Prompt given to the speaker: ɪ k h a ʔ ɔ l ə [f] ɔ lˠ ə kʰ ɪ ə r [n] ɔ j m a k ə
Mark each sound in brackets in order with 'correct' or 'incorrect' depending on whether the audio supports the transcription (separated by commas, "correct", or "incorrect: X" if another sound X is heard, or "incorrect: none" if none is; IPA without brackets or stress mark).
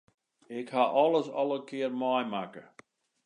incorrect: s, incorrect: m